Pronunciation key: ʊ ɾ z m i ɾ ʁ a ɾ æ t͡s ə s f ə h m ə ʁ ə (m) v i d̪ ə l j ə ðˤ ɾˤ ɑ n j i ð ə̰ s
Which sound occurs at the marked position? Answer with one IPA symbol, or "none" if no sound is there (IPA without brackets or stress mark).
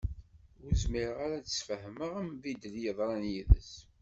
m